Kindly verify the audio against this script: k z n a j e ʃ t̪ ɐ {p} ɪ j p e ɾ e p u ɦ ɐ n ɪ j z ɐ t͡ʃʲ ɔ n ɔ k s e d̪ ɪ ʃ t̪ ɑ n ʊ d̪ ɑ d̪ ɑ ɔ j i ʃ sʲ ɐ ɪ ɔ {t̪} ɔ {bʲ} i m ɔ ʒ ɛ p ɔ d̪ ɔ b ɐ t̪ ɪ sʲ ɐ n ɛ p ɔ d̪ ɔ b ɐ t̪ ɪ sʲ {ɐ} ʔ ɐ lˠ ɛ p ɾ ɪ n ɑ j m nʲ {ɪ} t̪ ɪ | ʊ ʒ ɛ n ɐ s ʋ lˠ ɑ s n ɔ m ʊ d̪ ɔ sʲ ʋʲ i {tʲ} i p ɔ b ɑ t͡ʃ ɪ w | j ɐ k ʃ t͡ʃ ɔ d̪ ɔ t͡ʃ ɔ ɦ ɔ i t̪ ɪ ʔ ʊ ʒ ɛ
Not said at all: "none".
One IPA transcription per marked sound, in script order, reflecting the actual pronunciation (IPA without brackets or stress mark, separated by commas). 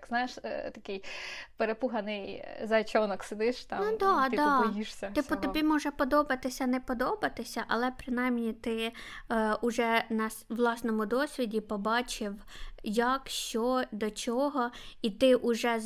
k, t̪, bʲ, ɐ, i, dʲ